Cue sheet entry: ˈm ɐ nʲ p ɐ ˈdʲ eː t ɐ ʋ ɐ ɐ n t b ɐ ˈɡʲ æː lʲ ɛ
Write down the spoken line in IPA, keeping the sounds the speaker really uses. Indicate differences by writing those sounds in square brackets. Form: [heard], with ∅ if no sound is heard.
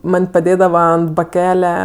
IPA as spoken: ˈm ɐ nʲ p ɐ ˈdʲ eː [d] ɐ ʋ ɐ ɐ n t b ɐ [ˈkʲ] æː lʲ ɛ